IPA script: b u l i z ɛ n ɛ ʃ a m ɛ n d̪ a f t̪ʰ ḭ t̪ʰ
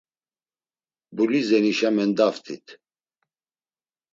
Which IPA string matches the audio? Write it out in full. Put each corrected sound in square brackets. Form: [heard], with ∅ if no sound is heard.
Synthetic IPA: b u l i z ɛ n [i] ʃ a m ɛ n d̪ a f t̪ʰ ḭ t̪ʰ